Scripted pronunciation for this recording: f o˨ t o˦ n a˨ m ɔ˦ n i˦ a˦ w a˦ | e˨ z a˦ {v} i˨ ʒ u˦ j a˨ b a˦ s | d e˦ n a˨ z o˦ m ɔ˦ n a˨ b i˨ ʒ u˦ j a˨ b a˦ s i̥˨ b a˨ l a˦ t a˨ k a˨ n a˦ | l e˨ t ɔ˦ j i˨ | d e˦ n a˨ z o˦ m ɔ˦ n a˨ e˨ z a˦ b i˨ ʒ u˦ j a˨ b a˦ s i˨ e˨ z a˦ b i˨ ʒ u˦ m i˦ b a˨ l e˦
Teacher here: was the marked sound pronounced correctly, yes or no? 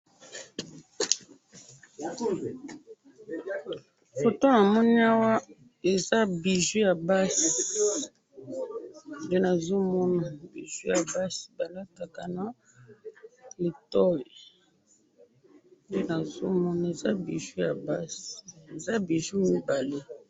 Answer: no